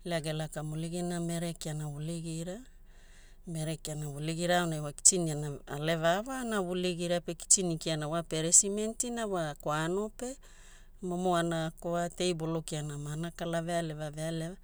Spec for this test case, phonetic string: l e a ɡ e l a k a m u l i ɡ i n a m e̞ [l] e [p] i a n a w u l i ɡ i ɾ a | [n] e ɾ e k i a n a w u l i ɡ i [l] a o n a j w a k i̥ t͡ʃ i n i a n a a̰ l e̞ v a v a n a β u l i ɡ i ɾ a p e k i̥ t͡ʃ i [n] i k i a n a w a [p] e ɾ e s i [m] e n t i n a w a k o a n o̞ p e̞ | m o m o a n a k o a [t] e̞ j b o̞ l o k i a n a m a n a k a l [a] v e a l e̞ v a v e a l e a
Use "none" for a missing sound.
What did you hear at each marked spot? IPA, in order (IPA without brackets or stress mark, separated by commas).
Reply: ɾ, k, m, ɾ, n, p, m, t, a